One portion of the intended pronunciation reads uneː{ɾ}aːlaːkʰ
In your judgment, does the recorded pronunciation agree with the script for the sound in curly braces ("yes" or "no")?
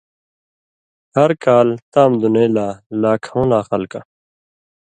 no